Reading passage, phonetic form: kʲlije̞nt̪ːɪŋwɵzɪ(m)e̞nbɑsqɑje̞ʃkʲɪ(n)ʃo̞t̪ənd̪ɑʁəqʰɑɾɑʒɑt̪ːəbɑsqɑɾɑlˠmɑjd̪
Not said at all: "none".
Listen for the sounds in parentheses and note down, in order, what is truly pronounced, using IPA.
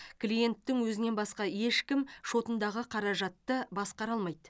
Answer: n, m

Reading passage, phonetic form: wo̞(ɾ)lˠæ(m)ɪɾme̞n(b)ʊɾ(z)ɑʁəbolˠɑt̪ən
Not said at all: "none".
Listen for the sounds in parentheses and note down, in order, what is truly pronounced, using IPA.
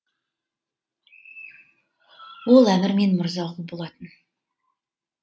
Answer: none, m, m, z

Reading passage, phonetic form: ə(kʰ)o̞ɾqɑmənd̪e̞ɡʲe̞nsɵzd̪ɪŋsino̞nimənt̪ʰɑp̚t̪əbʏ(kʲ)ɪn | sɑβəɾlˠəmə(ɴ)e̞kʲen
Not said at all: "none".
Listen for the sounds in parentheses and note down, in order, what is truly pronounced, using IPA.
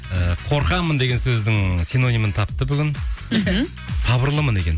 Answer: qʰ, ɡʲ, n

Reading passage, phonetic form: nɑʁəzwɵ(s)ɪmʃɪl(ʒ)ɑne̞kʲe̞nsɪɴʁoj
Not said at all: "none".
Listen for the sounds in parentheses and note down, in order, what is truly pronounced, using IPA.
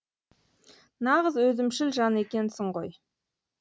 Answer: z, ʒ

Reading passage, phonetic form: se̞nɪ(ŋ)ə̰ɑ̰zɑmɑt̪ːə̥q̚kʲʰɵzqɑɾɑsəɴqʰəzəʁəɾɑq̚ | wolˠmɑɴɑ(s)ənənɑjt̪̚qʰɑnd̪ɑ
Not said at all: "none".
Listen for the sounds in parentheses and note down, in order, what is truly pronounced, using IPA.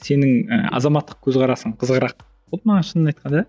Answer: ŋ, ʃ

